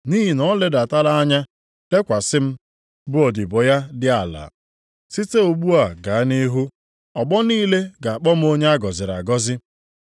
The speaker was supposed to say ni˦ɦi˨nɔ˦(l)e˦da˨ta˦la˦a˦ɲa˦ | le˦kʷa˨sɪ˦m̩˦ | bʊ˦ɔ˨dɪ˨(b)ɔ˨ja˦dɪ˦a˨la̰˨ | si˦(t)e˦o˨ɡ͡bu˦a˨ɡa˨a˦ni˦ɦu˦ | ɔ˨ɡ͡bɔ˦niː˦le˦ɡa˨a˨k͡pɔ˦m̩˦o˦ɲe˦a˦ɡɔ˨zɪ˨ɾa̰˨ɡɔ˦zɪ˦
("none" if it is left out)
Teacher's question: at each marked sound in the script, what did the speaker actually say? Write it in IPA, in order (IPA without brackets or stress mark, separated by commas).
l, b, t